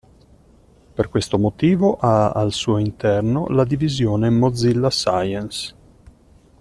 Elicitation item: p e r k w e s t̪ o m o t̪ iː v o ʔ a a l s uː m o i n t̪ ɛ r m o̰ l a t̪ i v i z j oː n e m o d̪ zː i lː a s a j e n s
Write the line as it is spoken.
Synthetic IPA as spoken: p e r k w e s t̪ o m o t̪ iː v o ʔ a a l s uː o i n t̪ ɛ r n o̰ l a d̪ i v i z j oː n e m o d̪ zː i lː a s a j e n s